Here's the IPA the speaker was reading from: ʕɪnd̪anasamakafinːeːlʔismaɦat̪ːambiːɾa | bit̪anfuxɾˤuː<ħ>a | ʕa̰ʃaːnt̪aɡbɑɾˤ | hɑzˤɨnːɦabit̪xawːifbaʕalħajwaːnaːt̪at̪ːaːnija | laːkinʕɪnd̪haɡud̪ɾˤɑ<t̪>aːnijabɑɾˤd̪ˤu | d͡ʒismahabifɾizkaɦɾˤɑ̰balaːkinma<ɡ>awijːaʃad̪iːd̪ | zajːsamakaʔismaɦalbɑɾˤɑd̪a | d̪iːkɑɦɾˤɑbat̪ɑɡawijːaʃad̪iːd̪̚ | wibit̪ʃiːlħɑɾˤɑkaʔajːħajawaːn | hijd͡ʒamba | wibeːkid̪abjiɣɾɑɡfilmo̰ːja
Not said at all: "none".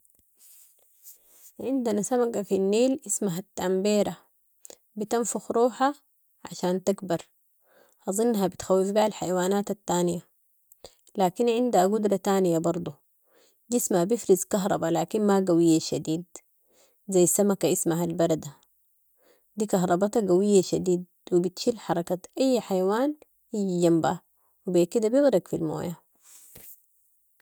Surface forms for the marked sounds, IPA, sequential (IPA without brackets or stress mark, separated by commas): ħ, t̪, ɡ